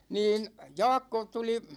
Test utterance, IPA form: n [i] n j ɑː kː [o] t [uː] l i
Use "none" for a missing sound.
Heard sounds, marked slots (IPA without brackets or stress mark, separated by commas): iː, o, u